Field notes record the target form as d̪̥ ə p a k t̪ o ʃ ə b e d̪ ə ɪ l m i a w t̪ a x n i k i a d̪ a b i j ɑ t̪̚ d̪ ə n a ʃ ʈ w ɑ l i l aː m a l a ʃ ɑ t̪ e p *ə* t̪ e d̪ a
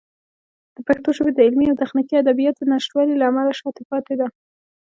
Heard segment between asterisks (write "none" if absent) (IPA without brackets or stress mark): ɑ